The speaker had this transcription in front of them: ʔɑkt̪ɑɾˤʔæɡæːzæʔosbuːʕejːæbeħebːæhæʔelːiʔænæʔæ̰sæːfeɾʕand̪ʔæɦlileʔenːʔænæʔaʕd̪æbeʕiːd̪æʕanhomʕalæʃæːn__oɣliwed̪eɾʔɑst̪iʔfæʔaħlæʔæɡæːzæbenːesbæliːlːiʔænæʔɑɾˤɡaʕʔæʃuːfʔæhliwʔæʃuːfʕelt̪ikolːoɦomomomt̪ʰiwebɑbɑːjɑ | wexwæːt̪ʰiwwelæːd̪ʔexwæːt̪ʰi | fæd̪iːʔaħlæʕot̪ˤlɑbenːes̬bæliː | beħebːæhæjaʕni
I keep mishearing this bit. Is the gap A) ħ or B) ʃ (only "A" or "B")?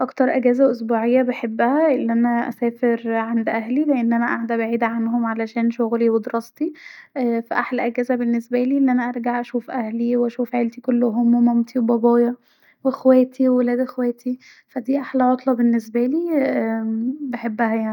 B